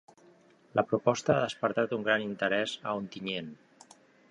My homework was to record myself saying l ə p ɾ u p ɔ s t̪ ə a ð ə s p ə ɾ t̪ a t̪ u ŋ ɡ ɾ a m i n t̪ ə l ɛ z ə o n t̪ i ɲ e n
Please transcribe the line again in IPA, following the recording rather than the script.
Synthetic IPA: l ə p ɾ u p ɔ s t̪ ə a ð ə s p ə ɾ t̪ a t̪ u ŋ ɡ ɾ a n i n t̪ ə ɾ ɛ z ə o n t̪ i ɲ e n